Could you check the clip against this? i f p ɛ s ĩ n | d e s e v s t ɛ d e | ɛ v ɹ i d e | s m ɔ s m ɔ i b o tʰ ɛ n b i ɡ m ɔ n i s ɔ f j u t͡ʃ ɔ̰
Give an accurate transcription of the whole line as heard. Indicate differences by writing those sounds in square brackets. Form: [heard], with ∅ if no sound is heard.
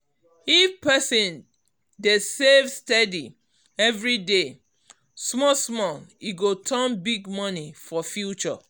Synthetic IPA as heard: i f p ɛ s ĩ n | d e s e v s t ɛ d [i] | ɛ v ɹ i d e | s m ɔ s m ɔ i [ɡ] o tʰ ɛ n b i ɡ m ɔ n i [f] ɔ f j u t͡ʃ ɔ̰